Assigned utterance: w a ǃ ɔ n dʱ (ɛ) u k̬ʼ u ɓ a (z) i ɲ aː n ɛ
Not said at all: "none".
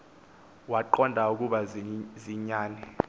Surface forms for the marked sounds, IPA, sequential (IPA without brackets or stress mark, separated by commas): a, z